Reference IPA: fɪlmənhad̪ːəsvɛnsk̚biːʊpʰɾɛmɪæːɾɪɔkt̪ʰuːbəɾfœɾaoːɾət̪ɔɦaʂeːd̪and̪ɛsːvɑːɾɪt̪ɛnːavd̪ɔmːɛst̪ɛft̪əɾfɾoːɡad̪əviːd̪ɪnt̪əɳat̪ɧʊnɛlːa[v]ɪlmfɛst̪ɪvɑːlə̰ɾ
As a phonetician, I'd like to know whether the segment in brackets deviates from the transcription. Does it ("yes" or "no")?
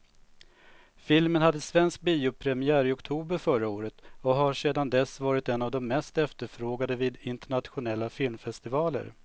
yes